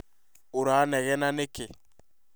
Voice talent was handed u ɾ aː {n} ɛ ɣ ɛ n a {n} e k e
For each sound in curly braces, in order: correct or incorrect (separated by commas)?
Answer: correct, correct